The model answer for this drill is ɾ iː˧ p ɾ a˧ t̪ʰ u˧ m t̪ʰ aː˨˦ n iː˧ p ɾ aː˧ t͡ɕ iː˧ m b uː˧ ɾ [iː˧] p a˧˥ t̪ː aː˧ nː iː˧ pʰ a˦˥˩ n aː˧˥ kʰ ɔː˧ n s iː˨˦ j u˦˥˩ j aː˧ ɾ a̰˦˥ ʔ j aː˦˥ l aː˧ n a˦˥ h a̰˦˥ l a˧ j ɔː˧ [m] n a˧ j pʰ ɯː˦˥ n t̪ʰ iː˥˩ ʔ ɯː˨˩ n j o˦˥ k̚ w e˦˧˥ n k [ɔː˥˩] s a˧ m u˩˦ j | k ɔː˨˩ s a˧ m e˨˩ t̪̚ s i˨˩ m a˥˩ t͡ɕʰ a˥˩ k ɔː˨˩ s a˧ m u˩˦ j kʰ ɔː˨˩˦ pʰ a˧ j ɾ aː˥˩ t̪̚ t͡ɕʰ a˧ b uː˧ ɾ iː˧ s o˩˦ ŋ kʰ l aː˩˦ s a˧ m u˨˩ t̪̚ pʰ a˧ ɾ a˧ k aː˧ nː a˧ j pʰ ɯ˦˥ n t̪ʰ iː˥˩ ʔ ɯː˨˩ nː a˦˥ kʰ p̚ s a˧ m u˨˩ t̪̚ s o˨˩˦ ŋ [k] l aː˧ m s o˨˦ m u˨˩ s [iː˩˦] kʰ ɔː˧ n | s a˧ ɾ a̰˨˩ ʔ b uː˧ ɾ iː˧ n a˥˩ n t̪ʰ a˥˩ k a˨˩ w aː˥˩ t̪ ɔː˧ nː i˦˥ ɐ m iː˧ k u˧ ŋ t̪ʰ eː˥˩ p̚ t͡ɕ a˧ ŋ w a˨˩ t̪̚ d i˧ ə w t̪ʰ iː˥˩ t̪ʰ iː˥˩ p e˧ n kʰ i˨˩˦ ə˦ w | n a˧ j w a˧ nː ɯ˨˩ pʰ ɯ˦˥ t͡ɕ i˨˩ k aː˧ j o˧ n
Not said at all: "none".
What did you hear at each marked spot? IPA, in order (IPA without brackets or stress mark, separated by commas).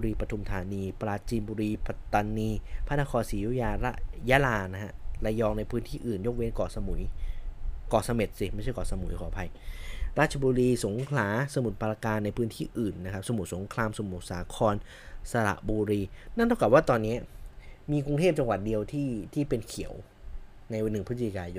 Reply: iː˧, ŋ, ɔː˨˩, kʰ, aː˩˦